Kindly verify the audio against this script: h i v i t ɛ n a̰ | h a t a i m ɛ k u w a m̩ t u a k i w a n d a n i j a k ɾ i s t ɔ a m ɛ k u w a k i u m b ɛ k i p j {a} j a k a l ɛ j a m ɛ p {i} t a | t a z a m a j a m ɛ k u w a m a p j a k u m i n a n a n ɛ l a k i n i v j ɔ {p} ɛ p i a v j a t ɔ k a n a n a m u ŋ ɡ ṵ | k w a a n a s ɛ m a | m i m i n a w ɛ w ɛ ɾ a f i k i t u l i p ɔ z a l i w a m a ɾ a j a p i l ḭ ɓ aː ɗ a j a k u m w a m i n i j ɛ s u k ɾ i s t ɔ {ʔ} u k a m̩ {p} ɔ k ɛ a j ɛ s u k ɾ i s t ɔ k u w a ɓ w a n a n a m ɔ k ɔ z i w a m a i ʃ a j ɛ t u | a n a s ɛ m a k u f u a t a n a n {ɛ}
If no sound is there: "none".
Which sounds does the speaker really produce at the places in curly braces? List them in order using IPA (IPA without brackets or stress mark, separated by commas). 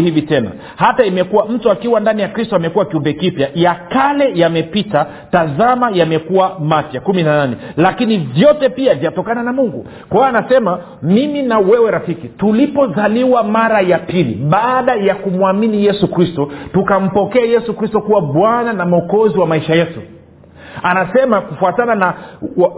a, i, t, t, p, a